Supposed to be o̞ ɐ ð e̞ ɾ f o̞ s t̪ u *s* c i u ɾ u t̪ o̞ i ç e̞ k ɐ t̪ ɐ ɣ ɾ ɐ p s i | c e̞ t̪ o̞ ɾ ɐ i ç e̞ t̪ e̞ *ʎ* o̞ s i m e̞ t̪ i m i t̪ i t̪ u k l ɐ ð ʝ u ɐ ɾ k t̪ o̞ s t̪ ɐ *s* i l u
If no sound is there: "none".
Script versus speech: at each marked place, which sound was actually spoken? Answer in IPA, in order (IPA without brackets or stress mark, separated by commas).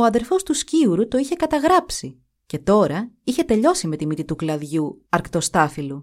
s, ʎ, f